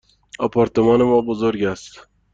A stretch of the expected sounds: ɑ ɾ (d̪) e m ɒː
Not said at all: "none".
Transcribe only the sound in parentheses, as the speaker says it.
t̪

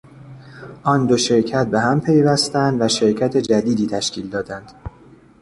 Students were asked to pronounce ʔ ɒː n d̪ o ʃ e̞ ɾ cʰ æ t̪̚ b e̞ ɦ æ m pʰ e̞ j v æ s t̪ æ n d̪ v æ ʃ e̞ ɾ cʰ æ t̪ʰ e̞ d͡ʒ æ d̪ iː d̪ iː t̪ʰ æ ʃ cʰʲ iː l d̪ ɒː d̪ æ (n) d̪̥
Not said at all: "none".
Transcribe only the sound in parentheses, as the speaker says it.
n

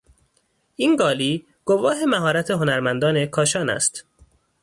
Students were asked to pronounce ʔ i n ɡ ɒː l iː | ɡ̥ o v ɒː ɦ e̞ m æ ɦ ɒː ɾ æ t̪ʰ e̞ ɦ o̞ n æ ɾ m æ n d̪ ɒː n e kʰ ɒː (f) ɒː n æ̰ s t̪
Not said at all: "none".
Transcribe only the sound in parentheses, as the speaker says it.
ʃ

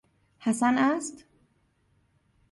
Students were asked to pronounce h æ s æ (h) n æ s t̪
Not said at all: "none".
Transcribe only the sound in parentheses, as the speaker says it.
none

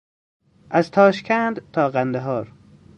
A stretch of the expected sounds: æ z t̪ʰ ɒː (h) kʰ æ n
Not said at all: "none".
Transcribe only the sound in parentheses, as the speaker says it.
ʃ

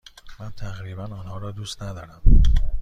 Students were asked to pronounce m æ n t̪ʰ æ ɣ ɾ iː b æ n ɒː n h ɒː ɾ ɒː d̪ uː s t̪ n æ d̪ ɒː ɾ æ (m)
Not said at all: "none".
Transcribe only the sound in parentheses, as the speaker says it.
m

